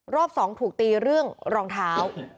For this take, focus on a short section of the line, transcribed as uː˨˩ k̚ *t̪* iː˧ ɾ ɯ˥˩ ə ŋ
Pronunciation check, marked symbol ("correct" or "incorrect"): correct